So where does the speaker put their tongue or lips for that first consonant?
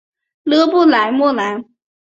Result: tongue tip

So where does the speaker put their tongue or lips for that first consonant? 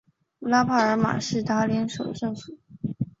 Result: tongue tip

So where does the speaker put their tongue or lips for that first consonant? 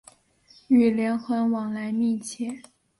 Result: tongue tip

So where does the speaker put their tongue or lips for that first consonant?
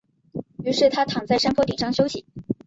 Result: retroflex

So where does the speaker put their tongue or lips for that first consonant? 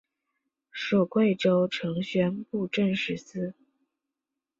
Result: retroflex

